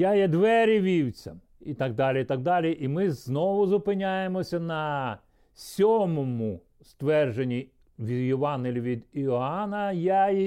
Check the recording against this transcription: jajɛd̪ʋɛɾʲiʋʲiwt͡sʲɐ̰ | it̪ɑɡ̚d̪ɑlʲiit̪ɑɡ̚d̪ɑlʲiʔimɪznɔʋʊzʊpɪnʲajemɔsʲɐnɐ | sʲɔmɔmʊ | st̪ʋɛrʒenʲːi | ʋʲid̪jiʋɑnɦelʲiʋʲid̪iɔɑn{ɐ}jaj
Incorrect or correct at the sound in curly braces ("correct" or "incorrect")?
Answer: correct